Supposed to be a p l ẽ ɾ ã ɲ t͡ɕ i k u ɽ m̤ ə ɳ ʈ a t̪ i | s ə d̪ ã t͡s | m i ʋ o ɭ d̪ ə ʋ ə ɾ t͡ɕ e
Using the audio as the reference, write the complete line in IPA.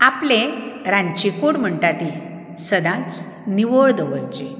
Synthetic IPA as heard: a p l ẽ ɾ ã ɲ t͡ɕ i k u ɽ m̤ ə ɳ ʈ a t̪ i | s ə d̪ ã t͡s | n i ʋ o ɭ d̪ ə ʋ ə ɾ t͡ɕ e